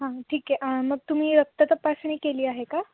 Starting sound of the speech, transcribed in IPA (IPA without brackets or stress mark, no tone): ɦ